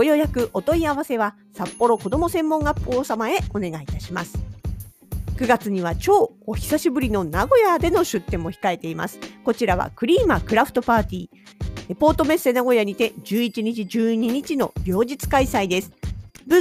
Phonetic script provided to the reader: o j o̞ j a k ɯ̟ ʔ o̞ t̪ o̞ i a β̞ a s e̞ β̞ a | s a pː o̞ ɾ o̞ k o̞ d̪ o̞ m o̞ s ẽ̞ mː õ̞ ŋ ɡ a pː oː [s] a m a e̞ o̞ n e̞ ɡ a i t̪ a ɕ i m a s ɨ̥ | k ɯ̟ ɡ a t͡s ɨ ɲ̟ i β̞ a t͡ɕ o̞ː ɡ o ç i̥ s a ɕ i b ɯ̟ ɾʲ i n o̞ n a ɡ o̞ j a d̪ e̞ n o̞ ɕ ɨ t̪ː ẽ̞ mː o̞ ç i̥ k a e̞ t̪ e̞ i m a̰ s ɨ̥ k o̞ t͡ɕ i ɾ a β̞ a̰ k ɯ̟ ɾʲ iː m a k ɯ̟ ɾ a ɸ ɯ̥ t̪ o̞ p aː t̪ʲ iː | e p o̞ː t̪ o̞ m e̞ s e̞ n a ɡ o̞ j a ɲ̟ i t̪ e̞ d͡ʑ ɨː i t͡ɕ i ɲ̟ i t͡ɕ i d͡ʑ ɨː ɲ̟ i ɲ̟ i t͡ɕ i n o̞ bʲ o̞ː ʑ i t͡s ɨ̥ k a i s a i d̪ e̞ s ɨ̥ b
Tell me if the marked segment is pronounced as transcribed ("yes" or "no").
yes